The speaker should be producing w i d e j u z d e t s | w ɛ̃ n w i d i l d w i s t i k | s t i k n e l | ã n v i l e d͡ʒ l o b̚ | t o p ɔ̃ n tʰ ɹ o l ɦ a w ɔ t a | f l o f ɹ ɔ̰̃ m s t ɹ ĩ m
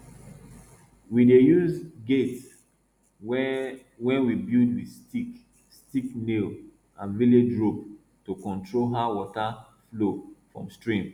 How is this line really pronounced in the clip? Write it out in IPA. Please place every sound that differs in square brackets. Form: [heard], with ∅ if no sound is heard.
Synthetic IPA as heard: w i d e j u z [ɡ] e t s | w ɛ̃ n w i [b] i l d w i s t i k | s t i k n e l | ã n v i l e d͡ʒ [ɹ] o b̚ | t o [k] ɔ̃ n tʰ ɹ o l ɦ a w ɔ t a | f l o f ɹ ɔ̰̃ m s t ɹ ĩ m